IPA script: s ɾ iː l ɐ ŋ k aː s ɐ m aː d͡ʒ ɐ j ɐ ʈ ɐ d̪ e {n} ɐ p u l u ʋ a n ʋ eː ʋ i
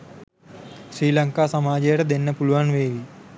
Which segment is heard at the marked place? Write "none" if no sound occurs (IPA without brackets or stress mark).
nː